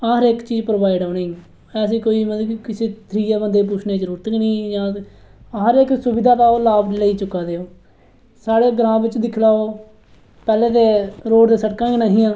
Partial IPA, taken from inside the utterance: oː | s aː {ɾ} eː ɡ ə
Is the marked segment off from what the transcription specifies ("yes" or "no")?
yes